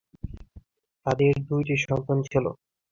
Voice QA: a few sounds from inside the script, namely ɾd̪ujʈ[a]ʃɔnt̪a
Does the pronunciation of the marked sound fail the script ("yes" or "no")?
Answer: yes